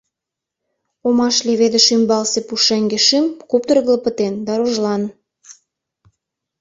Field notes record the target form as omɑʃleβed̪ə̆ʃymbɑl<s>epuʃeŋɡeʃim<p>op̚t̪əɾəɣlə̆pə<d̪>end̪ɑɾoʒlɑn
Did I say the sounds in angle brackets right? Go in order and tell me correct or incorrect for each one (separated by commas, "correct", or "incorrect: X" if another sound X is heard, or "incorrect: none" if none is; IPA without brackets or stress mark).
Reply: correct, incorrect: k, incorrect: t̪